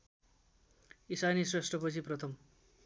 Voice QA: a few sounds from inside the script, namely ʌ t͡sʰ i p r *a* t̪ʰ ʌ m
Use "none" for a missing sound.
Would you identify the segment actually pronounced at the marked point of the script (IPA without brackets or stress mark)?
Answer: ʌ